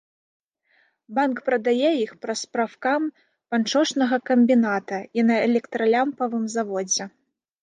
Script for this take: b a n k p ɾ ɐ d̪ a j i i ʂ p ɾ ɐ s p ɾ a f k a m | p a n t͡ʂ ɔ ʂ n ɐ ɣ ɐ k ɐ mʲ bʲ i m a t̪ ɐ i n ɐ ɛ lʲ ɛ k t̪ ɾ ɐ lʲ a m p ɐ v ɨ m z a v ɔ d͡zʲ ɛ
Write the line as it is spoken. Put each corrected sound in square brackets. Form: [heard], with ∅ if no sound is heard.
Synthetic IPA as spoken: b a n k p ɾ ɐ d̪ a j [ɛ] i [x] p ɾ ɐ s p ɾ a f k a m | p a n t͡ʂ ɔ ʂ n ɐ ɣ ɐ k ɐ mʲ bʲ i [n] a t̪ ɐ i n ɐ ɛ lʲ ɛ k t̪ ɾ ɐ lʲ a m p ɐ v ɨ m z a v ɔ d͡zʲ ɛ